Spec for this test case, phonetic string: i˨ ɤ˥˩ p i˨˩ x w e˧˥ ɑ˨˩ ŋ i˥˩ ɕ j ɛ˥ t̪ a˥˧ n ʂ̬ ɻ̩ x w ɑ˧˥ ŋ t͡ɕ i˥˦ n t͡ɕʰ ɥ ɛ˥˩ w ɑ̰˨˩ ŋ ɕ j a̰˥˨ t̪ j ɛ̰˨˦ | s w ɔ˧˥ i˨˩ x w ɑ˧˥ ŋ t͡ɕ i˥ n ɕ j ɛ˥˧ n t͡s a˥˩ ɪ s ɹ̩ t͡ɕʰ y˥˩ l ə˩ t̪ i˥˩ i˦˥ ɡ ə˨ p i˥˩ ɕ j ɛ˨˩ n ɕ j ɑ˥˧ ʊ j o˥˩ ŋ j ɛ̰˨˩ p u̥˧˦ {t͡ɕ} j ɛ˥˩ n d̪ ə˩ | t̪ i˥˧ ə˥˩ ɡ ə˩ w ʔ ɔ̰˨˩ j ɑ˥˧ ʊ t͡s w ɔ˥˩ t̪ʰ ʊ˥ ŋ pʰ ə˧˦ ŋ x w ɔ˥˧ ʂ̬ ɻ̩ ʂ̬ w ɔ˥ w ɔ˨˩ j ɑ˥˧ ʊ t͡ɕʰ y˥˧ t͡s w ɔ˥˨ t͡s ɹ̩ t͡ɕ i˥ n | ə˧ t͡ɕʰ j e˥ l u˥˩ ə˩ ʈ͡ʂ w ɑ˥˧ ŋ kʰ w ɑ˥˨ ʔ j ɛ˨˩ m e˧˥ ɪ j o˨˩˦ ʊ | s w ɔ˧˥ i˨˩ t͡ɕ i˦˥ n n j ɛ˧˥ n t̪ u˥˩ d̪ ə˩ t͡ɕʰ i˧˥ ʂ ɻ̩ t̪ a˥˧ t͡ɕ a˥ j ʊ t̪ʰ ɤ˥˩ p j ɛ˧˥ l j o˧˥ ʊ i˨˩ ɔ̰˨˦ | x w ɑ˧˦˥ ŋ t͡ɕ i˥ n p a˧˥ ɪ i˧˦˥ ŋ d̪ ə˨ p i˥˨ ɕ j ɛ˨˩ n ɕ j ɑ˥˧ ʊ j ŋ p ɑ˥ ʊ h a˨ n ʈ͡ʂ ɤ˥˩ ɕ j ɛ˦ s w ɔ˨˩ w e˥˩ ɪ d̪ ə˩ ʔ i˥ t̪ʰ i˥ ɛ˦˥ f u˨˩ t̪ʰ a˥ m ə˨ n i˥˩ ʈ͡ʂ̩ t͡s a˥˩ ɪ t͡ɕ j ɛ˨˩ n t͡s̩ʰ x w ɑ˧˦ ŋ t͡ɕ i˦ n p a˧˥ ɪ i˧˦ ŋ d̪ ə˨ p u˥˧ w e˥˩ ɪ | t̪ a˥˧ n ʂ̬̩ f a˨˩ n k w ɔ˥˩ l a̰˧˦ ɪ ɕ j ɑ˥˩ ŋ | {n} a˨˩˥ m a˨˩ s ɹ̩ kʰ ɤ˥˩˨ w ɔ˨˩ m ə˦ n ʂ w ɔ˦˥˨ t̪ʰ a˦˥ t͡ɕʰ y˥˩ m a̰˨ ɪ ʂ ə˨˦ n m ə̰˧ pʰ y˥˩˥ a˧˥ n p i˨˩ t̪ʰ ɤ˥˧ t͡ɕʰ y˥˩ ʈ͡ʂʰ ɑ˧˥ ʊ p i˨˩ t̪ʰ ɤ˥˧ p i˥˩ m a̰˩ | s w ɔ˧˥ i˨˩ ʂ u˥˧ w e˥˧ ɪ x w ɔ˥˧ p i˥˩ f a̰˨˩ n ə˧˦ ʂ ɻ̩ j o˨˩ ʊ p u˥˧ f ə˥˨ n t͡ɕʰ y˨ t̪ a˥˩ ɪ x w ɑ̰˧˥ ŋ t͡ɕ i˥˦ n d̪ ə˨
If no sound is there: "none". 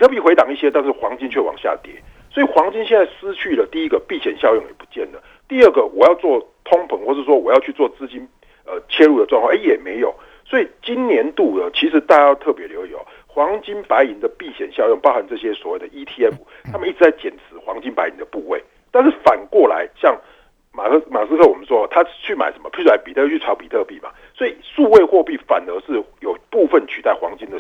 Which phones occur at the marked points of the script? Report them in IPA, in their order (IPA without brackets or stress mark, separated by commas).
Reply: t͡ɕ, m